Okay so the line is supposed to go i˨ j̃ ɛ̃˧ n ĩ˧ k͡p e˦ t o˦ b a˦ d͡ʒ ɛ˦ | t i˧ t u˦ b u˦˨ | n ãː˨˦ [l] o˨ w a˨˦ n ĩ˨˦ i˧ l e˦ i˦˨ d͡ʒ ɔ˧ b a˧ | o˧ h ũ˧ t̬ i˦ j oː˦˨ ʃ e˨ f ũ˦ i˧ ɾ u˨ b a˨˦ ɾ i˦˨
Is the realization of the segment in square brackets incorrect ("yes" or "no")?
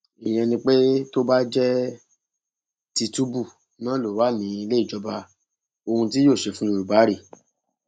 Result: no